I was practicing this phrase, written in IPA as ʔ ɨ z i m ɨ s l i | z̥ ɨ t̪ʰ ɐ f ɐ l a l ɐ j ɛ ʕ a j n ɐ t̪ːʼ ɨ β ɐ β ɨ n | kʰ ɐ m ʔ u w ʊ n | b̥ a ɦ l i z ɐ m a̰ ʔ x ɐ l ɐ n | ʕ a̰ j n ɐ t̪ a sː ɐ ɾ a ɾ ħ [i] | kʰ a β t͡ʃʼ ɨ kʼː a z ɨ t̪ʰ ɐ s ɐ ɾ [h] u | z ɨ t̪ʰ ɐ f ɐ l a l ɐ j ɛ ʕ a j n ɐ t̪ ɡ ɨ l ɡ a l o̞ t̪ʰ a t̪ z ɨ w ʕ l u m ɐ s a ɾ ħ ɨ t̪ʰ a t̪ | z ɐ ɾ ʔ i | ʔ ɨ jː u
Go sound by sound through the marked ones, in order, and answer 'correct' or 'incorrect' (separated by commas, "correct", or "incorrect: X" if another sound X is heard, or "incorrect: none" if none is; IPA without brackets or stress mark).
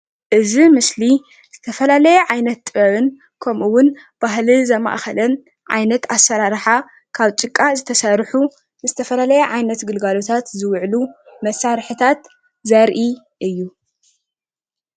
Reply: incorrect: a, incorrect: ħ